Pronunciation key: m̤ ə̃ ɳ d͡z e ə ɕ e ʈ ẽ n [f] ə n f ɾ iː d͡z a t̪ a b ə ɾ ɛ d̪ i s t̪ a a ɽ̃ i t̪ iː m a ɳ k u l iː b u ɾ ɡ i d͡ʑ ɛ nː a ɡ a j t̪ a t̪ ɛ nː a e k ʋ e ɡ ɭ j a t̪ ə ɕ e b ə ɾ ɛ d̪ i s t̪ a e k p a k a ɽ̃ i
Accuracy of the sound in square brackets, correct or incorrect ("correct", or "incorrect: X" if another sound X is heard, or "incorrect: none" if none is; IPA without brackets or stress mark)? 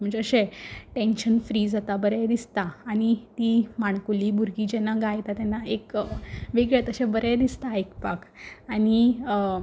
incorrect: ɕ